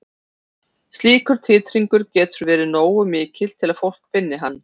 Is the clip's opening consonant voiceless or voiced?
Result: voiceless